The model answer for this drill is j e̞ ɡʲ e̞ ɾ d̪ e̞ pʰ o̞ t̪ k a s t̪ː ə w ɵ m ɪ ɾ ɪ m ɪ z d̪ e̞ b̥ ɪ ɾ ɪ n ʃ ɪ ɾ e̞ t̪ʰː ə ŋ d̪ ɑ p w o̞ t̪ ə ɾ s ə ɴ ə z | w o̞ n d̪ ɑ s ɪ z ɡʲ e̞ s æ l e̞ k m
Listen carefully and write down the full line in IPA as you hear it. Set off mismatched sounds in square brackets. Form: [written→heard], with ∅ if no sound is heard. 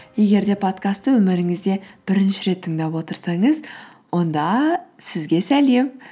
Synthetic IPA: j e̞ ɡʲ e̞ ɾ d̪ e̞ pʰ o̞ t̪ k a s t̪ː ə w ɵ m ɪ ɾ ɪ [m→ŋ] ɪ z d̪ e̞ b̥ ɪ ɾ ɪ n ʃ ɪ ɾ e̞ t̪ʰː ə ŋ d̪ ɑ p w o̞ t̪ ə ɾ s [ə→ɑ] ɴ ə z | w o̞ n d̪ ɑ s ɪ z ɡʲ e̞ s æ l e̞ [k→∅] m